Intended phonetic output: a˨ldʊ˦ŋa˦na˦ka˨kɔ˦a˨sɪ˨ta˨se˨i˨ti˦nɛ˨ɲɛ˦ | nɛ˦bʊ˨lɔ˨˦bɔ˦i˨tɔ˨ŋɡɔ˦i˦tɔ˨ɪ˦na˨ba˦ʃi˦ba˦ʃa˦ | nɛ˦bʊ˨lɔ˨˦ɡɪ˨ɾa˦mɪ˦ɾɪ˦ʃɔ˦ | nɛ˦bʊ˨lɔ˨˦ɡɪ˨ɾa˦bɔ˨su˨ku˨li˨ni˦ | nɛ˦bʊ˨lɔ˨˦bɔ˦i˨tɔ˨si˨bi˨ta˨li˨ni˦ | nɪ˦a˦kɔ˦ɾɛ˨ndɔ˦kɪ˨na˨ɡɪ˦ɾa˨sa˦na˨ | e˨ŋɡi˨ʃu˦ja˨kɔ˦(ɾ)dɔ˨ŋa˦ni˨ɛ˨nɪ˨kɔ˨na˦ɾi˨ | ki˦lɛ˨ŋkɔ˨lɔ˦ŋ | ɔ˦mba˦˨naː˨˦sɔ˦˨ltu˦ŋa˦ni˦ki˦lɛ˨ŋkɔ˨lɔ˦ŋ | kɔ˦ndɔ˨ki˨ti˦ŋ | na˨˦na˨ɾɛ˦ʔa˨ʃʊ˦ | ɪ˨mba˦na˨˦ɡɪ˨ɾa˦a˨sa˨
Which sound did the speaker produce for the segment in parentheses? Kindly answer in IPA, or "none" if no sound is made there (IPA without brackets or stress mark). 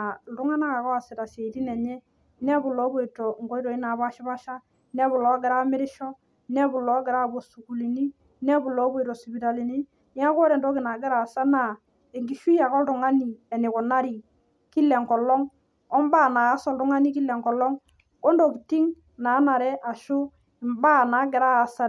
l